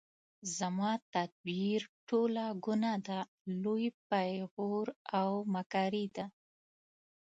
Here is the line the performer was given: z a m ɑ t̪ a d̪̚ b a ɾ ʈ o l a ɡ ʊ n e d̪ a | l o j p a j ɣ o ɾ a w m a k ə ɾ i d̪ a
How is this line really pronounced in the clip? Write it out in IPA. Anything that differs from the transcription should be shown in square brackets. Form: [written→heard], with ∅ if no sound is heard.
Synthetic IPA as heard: z a m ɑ t̪ a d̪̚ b [a→i] ɾ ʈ o l a ɡ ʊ n [e→a] d̪ a | l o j p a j ɣ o ɾ a w m a k [ə→ɑ] ɾ i d̪ a

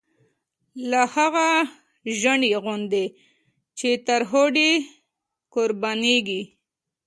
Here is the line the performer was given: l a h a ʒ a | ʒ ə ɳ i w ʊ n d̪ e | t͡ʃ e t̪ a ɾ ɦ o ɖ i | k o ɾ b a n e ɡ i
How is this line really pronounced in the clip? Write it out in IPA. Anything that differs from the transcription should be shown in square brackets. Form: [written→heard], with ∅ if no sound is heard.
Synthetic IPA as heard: l a h a [ʒ→ɣ] a | ʒ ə ɳ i [w→ɣ] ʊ n d̪ e | t͡ʃ e t̪ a ɾ ɦ o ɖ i | k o ɾ b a n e ɡ i

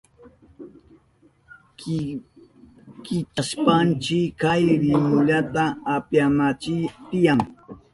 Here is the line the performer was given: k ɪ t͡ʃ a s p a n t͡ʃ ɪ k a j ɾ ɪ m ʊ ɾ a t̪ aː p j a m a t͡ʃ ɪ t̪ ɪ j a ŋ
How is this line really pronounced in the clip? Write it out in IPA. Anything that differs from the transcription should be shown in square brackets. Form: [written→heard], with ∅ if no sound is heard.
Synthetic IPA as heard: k ɪ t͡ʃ a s p a n t͡ʃ ɪ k a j ɾ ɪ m ʊ [ɾ→ʎ] a t̪ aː p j a m a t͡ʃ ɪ t̪ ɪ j a ŋ

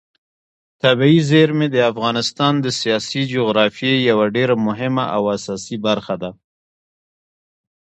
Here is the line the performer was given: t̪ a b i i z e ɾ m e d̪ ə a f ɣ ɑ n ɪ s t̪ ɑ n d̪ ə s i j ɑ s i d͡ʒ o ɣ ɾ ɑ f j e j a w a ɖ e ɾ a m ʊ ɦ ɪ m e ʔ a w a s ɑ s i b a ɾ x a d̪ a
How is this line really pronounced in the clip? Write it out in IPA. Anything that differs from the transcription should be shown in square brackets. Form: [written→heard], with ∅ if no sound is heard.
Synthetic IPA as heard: t̪ a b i i z e ɾ m e d̪ ə a f ɣ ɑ n ɪ s t̪ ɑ n d̪ ə s i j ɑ s i d͡ʒ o ɣ ɾ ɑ f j e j a w a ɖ e ɾ a m ʊ ɦ ɪ m [e→a] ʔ a w a s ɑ s i b a ɾ x a d̪ a

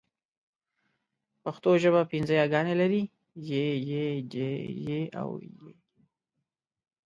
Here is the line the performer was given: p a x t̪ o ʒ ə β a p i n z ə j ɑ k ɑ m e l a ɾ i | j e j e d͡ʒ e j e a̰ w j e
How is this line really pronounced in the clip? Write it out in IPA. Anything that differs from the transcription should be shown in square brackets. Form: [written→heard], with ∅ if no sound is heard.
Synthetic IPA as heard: p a x t̪ o ʒ ə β a p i n z ə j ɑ [k→ɡ] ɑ [m→n] e l a ɾ i | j e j e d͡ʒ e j e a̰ w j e

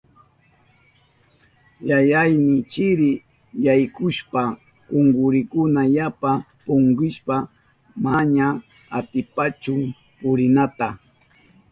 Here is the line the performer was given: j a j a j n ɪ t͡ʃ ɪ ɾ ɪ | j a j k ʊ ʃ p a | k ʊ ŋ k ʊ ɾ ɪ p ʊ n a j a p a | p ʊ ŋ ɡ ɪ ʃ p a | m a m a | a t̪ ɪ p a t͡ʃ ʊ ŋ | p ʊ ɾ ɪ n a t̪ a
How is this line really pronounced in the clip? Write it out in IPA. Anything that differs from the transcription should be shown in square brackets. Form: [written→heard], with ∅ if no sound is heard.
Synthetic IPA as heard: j a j a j n ɪ t͡ʃ ɪ ɾ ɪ | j a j k ʊ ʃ p a | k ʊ ŋ [k→ɡ] ʊ ɾ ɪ [p→k] ʊ n a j a p a | p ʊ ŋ ɡ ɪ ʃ p a | m a [m→ɲ] a | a t̪ ɪ p a t͡ʃ ʊ ŋ | p ʊ ɾ ɪ n a t̪ a

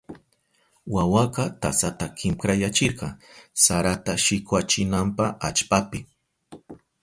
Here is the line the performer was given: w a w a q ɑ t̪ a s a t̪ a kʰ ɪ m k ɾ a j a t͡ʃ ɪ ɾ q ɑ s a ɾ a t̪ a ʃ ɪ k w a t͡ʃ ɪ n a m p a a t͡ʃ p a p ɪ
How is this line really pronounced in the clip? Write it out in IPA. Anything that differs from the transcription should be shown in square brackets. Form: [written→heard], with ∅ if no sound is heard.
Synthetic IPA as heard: w a w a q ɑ t̪ a s a t̪ a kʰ ɪ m k ɾ a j a t͡ʃ ɪ ɾ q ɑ s a ɾ a t̪ a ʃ ɪ k w a t͡ʃ ɪ n a m p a a t͡ʃ p a p ɪ

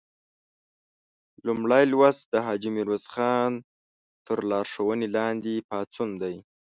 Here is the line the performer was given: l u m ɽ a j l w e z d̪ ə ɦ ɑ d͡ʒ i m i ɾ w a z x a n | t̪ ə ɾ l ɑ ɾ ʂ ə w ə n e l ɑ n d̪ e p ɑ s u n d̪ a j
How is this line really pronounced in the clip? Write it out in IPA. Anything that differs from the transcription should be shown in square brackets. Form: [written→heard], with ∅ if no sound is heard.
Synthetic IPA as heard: l u m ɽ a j l w [e→a] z d̪ ə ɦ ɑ d͡ʒ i m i ɾ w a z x [a→ɑ] n | t̪ ə ɾ l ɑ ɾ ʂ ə w ə n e l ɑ n d̪ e p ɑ [s→t͡s] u n d̪ a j

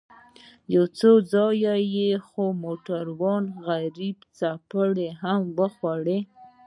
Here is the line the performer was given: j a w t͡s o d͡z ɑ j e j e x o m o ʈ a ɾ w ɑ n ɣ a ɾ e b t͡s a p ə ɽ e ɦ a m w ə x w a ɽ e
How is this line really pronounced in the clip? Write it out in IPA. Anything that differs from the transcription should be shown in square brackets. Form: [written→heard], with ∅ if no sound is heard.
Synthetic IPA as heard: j a w t͡s o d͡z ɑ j [e→a] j e x o m o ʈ a ɾ w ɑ n ɣ a ɾ [e→i] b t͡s a p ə ɽ e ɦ a m w ə x w a ɽ e

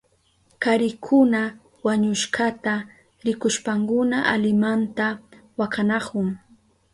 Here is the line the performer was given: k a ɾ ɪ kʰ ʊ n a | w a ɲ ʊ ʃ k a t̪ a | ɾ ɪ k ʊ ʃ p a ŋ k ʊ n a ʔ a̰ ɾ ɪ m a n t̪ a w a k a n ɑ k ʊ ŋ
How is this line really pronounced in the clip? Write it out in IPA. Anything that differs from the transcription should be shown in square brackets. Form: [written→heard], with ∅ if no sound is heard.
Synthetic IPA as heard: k a ɾ ɪ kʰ ʊ n a | w a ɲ ʊ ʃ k a t̪ a | ɾ ɪ k ʊ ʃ p a ŋ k ʊ n a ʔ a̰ [ɾ→l] ɪ m a n t̪ a w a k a n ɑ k ʊ ŋ

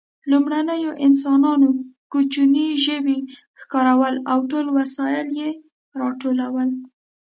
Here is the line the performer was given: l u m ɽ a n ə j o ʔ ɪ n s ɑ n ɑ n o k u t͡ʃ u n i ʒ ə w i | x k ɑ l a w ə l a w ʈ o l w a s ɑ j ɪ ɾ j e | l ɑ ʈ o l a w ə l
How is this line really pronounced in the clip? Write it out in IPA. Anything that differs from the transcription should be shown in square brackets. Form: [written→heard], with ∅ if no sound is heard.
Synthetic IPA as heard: l u m ɽ a n ə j o ʔ ɪ n s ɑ n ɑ n o k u t͡ʃ u n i ʒ ə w i | x k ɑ [l→ɾ] a w ə l a w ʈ o l w a s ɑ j ɪ [ɾ→l] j e | [l→ɾ] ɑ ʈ o l a w ə l

